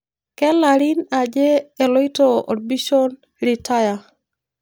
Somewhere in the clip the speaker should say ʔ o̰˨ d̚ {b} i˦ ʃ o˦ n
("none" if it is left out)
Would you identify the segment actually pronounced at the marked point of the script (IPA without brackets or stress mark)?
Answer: b